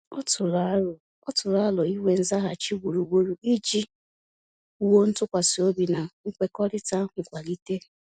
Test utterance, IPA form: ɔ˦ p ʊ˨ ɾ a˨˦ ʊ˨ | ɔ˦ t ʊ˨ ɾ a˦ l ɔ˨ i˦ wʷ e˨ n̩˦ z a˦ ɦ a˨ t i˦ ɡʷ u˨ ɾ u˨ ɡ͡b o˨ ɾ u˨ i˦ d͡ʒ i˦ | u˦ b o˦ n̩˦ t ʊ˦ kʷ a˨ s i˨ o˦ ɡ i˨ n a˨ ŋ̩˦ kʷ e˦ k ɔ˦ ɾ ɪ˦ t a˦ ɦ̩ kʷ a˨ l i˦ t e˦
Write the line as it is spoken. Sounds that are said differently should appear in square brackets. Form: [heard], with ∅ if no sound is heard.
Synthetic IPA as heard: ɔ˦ [t] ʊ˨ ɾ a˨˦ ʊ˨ | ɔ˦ t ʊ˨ ɾ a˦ l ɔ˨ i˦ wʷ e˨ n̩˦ z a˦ ɦ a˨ [t͡ʃ] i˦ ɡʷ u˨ ɾ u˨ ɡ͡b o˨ ɾ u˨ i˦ d͡ʒ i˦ | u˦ [w] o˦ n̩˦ t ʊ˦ kʷ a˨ s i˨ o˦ [b] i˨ n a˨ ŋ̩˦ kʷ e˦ k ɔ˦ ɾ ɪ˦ t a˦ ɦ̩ kʷ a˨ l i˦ t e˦

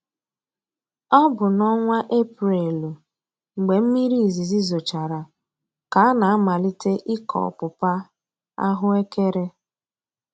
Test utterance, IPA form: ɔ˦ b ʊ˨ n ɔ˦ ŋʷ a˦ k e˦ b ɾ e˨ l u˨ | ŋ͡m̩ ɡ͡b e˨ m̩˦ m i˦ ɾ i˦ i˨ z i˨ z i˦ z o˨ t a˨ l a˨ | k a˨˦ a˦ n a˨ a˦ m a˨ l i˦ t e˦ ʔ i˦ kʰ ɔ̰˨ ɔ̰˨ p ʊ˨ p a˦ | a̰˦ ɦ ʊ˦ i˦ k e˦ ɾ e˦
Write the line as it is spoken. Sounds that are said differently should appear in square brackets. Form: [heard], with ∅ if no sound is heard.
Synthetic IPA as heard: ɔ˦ b ʊ˨ n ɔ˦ ŋʷ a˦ [ʔ] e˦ [p] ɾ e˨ l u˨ | ŋ͡m̩ ɡ͡b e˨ m̩˦ m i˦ ɾ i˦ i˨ z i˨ z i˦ z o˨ [t͡ʃ] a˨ [ɾ] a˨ | k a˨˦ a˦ n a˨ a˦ m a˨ l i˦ t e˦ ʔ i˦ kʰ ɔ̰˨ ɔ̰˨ p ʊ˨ p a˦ | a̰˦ ɦ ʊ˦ [e˦] k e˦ ɾ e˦

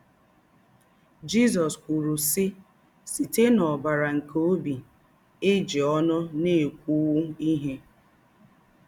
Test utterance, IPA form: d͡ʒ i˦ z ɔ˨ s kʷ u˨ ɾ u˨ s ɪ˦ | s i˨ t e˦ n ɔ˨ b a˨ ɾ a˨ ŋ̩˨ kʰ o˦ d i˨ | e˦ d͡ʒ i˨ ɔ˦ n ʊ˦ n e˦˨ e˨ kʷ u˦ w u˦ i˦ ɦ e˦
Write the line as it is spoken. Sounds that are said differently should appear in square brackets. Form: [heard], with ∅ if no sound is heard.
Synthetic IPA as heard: d͡ʒ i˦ z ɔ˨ s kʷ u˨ ɾ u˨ s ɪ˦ | s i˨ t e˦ n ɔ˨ b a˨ ɾ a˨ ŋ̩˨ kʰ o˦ [b] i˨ | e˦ d͡ʒ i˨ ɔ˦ n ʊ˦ n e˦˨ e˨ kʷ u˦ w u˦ i˦ ɦ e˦

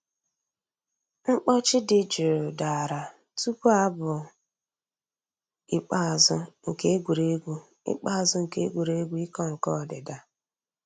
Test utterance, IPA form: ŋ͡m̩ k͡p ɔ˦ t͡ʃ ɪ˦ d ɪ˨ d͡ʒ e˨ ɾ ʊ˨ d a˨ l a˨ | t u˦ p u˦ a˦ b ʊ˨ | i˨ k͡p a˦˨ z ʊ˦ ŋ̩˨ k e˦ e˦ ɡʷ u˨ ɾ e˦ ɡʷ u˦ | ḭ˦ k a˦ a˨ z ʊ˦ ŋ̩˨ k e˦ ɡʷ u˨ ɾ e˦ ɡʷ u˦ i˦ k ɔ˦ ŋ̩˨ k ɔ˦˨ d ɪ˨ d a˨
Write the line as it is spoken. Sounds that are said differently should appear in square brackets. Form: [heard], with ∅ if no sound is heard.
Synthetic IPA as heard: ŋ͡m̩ k͡p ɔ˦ t͡ʃ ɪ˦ d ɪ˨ d͡ʒ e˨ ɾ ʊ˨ d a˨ [ɾ] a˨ | t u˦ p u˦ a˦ b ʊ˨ | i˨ k͡p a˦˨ z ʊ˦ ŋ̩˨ k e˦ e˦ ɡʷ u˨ ɾ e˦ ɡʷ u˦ | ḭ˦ [k͡p] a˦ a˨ z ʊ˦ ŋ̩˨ k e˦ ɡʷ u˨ ɾ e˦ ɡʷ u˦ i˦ k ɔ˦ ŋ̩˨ k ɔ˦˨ d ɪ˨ d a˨

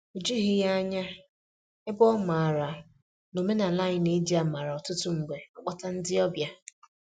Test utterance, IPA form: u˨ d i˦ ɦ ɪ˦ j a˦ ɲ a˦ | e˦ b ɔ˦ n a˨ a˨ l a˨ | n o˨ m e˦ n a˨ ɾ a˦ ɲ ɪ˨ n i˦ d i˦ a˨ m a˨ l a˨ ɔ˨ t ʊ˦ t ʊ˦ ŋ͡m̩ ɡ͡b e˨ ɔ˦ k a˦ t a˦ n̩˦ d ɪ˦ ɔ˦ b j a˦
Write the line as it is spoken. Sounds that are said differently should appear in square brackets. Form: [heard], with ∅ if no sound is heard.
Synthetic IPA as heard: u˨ [d͡ʒ] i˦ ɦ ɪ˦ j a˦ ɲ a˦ | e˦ b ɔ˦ [m] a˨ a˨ [ɾ] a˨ | n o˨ m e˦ n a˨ [l] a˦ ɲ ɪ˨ n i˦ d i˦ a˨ m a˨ [ɾ] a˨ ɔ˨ t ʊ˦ t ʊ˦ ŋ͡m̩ ɡ͡b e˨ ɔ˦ [k͡p] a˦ t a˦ n̩˦ d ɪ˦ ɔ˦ b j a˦

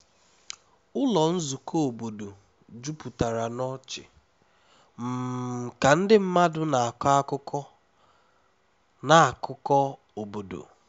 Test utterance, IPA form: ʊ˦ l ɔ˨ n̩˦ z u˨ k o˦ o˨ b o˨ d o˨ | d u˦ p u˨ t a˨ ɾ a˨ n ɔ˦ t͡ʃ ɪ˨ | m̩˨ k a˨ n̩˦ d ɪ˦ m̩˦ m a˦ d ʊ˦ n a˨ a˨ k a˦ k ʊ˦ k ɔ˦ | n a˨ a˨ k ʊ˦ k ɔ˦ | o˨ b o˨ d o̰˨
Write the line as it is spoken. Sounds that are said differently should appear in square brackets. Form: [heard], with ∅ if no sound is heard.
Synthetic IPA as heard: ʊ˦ l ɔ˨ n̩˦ z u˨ k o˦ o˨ b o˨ d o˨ | [d͡ʒ] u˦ p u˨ t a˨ ɾ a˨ n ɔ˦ t͡ʃ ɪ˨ | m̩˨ k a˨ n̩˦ d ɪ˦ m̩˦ m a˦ d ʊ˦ n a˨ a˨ k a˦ k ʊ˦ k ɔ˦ | n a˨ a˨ k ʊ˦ k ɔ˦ | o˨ b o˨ d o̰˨

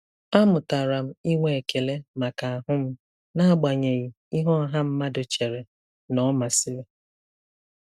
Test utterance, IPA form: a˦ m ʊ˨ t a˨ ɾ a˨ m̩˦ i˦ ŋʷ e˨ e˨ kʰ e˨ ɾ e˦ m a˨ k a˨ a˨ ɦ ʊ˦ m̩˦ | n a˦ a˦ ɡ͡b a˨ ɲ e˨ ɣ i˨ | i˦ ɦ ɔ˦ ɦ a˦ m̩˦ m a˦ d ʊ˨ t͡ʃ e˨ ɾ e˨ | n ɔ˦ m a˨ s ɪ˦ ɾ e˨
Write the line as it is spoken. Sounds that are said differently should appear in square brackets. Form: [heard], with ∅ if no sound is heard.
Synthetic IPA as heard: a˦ m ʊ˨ t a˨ ɾ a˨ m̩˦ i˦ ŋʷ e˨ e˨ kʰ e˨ [l] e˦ m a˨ k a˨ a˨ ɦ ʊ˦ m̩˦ | n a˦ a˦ ɡ͡b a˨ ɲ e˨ ɣ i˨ | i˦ ɦ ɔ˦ ɦ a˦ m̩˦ m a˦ d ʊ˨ t͡ʃ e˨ ɾ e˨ | n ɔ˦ m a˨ s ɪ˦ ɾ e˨

